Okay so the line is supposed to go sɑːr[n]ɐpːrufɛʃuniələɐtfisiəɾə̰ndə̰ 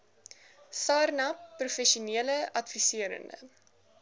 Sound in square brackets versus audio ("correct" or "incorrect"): correct